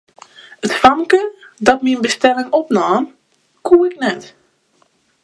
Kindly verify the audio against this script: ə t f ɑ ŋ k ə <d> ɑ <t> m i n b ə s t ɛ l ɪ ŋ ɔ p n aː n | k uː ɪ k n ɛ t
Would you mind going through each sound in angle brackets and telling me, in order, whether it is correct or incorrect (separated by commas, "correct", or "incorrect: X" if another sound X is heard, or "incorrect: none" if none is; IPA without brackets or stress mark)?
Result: correct, correct